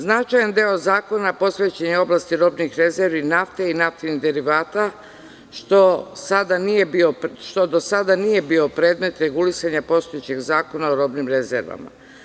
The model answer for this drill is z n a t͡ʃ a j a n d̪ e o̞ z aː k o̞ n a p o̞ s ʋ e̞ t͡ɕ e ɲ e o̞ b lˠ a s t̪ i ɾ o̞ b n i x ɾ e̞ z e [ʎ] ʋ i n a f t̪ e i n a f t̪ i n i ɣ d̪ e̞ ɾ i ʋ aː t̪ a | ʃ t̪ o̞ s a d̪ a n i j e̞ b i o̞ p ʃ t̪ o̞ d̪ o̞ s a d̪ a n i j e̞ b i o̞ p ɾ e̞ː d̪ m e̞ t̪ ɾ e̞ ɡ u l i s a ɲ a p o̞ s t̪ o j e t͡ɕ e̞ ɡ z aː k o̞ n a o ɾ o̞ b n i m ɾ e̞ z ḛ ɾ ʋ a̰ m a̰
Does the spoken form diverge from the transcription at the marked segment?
yes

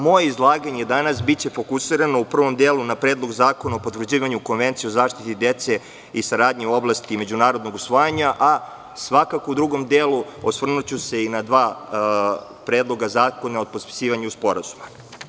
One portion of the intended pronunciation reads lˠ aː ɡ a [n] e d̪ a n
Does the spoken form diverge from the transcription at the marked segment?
yes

